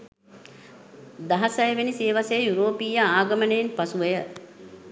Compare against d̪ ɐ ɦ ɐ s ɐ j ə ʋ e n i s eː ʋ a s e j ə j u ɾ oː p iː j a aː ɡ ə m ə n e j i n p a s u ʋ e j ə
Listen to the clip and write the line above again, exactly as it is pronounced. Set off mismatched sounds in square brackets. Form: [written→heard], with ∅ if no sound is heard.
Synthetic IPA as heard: d̪ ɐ ɦ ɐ s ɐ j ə ʋ e n i s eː ʋ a s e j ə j u ɾ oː p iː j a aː ɡ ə m ə n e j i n p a s u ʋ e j ə